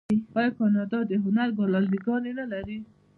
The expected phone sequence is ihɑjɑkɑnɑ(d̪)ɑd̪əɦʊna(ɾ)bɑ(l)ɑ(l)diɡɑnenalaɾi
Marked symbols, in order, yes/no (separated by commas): yes, yes, yes, yes